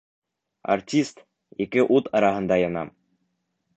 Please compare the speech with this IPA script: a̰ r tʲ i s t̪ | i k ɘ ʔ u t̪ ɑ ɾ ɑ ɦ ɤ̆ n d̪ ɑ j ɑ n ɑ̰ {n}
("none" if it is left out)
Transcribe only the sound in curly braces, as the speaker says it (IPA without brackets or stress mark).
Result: m